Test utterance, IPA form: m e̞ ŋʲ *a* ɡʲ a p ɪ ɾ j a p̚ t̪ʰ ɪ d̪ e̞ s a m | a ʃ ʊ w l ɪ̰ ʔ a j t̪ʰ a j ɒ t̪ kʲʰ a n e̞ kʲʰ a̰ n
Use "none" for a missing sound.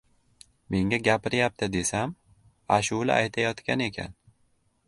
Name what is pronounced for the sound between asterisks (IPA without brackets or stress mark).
a